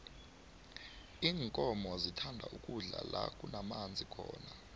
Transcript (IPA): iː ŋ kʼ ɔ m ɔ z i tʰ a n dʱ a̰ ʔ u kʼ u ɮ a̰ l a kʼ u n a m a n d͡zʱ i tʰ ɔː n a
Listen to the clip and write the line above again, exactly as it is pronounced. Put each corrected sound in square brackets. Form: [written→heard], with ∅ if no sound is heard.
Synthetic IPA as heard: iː ŋ kʼ ɔ m ɔ z i tʰ a n dʱ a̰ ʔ u kʼ u ɮ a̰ l a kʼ u n a m a n d͡zʱ i [tʰ→kʰ] ɔː n a